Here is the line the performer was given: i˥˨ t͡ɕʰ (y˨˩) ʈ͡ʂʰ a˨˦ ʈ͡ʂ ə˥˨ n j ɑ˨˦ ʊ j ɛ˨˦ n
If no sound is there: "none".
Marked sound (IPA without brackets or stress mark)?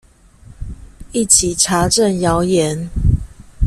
i˨˩